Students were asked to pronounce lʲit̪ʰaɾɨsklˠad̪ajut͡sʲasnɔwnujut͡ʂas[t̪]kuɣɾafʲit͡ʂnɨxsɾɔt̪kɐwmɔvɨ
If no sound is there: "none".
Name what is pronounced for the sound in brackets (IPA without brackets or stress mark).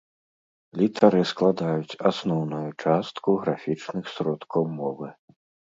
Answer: t̪